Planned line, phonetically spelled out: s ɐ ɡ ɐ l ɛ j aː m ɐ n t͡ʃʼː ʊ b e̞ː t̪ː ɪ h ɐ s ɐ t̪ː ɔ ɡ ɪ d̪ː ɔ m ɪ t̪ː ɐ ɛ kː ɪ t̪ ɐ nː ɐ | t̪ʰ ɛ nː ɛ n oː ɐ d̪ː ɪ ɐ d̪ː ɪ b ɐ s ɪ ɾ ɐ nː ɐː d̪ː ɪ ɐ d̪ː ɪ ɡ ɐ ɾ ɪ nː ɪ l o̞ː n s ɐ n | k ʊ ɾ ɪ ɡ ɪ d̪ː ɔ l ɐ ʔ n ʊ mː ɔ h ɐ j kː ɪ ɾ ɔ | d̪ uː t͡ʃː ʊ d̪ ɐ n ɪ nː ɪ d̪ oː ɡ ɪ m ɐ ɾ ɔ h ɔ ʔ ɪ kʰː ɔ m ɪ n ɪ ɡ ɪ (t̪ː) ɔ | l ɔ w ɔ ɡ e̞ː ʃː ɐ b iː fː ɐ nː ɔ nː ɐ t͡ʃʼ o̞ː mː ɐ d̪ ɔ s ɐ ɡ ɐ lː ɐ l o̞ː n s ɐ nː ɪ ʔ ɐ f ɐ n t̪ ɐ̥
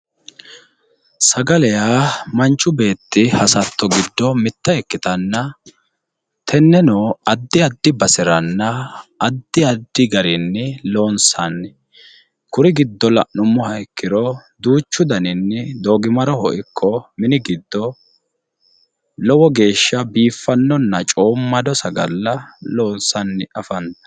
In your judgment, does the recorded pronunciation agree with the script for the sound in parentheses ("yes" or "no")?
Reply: no